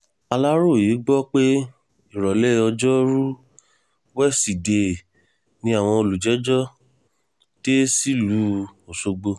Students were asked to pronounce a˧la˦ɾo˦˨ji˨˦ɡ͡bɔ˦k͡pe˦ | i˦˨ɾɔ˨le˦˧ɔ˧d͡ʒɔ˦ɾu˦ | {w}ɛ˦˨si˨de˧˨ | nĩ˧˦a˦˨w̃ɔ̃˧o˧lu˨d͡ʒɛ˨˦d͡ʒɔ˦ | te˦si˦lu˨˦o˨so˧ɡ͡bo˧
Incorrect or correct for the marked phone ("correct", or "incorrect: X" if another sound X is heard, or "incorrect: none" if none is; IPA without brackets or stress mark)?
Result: correct